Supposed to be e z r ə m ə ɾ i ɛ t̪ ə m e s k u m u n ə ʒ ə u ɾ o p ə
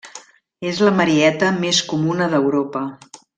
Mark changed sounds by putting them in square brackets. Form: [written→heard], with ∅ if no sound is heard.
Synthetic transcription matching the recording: e z [r→l] ə m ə ɾ i ɛ t̪ ə m e s k u m u n ə [ʒ→ð] ə [u→w] ɾ o p ə